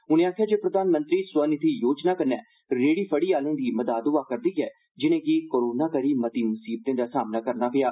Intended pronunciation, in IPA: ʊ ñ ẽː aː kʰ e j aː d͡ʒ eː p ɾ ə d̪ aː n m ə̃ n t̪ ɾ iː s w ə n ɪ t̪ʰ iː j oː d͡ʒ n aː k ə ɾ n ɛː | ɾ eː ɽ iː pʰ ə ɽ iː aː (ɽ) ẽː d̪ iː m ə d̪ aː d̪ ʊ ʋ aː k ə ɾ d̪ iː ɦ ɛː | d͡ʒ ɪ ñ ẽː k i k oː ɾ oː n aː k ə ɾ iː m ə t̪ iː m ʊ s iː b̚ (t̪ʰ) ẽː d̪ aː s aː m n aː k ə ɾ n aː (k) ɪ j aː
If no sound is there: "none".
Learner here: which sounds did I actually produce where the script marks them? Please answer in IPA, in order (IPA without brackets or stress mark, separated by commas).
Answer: l, t̪, p